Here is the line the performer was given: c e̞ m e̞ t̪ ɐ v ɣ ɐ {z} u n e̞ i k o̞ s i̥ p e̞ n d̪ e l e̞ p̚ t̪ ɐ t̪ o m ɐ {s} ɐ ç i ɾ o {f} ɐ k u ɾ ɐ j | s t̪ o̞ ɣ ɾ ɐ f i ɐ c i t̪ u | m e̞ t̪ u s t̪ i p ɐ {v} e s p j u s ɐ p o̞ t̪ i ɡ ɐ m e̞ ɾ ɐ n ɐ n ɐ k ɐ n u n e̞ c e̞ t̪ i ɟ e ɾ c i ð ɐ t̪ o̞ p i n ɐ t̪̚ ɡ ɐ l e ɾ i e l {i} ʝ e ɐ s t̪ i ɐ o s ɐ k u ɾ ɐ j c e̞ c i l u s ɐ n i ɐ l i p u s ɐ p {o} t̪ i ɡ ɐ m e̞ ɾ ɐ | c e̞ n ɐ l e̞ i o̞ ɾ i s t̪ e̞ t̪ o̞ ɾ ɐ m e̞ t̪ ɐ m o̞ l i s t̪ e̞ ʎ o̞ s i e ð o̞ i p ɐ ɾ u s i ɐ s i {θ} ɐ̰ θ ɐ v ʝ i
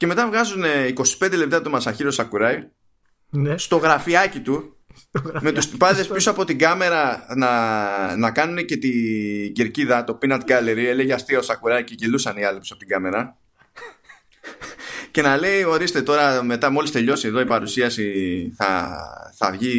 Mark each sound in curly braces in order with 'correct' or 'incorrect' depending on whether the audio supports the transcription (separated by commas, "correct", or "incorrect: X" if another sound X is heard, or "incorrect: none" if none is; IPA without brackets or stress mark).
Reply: correct, correct, incorrect: s, incorrect: ð, incorrect: e, correct, correct